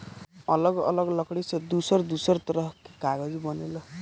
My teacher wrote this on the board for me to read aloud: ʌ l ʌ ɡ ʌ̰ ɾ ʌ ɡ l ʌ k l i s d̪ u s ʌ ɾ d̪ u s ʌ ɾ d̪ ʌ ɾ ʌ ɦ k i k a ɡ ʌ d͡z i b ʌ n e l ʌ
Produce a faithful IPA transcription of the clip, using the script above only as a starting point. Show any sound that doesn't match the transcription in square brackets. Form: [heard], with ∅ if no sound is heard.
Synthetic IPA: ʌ l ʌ ɡ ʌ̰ [l] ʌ ɡ l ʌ k [ɽ] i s d̪ u s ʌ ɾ d̪ u s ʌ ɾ [t̪] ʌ ɾ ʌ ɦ k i k a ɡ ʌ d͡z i b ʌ n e l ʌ